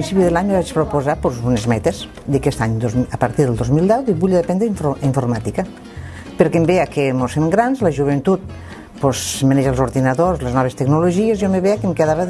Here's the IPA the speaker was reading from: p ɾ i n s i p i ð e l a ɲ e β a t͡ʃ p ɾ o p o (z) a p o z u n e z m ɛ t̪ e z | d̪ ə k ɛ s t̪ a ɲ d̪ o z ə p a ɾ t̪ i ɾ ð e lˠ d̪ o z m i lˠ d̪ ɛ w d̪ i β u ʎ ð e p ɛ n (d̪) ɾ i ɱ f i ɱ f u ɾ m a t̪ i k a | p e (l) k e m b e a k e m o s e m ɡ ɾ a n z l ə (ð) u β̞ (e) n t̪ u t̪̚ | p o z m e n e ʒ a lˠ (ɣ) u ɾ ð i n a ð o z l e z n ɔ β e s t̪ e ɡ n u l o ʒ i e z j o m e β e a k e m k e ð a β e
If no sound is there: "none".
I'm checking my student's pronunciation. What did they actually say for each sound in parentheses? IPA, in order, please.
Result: z, d̪, ɾ, ʒ, e, z

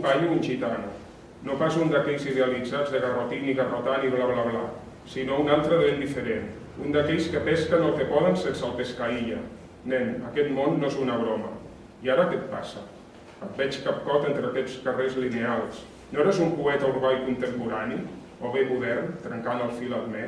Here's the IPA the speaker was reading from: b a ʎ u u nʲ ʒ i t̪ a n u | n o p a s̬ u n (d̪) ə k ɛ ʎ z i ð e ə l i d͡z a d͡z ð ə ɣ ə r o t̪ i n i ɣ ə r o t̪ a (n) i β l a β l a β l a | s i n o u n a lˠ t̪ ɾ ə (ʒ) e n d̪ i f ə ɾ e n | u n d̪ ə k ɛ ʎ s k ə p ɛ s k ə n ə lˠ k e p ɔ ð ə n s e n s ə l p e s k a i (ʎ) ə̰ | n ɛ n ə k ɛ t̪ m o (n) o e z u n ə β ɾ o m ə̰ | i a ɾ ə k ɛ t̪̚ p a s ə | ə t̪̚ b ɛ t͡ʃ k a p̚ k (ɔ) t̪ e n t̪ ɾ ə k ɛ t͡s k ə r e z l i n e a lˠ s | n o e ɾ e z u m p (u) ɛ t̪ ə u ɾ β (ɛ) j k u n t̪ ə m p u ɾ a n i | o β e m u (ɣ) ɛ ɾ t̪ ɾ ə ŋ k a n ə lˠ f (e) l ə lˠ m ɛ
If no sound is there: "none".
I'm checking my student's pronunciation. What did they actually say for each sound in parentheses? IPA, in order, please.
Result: d̪, n, ð, ʎ, nː, ɔ, u, a, ð, i

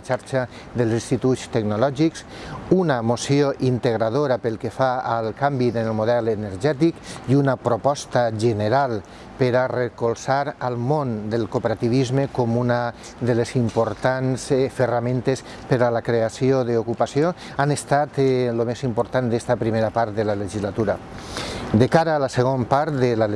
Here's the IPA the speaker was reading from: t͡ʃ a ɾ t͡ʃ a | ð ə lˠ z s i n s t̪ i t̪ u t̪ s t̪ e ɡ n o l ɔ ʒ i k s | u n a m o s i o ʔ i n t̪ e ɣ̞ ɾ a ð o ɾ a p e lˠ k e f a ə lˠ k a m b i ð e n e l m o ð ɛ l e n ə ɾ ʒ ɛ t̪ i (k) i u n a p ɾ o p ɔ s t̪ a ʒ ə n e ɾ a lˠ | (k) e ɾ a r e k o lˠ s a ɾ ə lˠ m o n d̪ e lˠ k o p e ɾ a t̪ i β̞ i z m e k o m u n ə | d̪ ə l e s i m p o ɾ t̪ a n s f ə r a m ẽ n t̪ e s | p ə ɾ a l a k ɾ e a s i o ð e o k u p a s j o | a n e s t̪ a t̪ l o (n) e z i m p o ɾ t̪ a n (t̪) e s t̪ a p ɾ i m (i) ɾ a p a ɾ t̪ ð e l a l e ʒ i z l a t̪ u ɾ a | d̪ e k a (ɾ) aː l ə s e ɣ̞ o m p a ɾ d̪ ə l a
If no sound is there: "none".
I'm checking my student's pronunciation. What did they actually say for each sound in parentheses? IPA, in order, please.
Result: k, p, m, d̪, e, ɾ

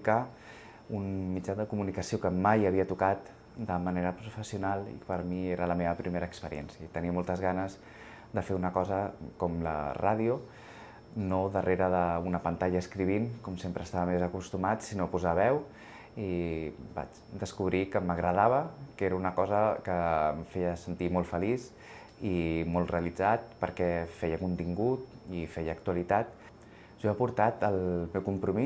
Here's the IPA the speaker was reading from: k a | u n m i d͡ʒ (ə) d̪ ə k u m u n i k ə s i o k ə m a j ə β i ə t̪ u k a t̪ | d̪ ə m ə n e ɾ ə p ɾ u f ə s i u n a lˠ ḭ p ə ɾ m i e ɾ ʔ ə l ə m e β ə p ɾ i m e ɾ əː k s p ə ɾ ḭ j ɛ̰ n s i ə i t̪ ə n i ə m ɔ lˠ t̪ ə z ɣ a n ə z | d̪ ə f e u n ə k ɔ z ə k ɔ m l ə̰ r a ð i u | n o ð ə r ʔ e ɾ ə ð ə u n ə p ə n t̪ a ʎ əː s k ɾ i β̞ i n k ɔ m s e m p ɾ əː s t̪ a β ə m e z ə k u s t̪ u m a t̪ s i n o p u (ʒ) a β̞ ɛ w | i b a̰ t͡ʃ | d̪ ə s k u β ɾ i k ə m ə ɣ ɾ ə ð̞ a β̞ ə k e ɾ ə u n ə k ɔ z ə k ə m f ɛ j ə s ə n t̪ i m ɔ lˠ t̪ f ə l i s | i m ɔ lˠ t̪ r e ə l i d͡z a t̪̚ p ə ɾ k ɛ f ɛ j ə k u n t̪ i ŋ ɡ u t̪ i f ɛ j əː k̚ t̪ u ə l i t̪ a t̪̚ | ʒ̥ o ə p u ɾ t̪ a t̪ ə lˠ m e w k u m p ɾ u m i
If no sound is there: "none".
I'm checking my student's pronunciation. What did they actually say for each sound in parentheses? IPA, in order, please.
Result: a, z

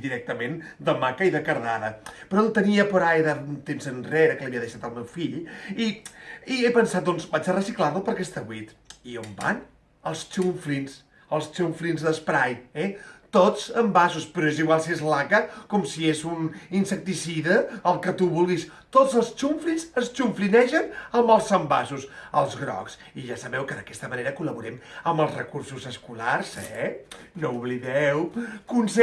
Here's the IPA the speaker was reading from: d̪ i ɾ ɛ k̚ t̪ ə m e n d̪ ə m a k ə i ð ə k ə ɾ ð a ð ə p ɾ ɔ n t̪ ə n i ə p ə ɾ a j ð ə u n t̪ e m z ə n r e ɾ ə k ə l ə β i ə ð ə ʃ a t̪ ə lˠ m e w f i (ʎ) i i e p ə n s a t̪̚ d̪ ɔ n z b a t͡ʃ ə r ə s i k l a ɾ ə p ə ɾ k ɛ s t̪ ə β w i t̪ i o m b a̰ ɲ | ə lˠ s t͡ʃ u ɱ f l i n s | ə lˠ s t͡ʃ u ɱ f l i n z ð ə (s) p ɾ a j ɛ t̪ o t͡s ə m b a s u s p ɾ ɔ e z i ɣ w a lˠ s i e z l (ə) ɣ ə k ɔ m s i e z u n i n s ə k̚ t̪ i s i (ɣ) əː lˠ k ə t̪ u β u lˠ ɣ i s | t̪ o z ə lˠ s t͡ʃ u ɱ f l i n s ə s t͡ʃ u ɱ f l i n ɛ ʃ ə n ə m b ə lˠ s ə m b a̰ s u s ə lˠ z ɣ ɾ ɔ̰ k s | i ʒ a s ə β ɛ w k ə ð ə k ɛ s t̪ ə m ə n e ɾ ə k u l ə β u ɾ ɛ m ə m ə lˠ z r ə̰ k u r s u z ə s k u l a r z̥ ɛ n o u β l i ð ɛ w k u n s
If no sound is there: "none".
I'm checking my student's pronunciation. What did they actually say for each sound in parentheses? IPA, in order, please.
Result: ʎ, s, a, ð

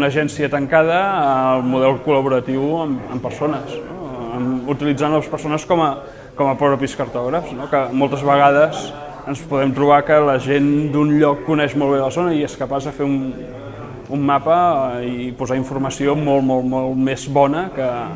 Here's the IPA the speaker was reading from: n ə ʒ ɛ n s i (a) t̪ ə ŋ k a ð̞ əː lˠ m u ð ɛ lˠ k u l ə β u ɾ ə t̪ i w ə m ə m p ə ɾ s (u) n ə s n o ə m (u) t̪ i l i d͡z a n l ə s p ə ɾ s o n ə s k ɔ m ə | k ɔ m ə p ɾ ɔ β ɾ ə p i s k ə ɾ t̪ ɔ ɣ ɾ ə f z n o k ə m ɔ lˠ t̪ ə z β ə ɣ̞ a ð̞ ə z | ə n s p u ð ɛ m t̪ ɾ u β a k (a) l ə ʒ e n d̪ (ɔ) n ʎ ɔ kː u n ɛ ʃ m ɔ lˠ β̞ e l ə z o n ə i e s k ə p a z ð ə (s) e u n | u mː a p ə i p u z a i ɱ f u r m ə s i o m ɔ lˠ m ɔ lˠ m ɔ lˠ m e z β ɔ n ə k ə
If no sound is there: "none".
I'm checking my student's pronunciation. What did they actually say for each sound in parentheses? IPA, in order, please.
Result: ə, o, u, ə, u, f

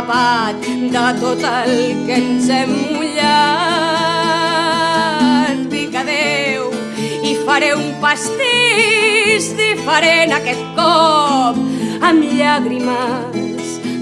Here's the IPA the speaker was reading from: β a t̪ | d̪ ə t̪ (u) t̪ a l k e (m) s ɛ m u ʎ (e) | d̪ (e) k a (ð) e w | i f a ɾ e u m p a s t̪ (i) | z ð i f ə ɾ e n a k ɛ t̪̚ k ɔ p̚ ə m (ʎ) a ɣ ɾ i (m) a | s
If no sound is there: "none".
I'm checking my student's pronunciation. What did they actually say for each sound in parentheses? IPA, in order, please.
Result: o, n, a, i, ð, i, ʎ, m

